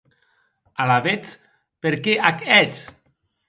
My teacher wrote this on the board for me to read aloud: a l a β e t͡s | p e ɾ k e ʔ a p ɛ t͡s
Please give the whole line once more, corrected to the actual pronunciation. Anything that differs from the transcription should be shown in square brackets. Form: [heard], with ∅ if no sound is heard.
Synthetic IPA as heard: a l a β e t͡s | p e ɾ k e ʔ a [k] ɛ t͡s